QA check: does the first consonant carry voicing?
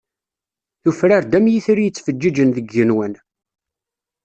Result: no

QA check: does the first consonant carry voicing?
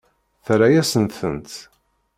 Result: no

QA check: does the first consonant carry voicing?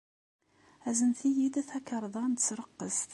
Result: yes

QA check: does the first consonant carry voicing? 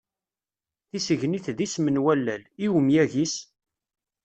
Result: no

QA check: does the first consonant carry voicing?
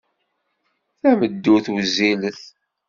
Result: no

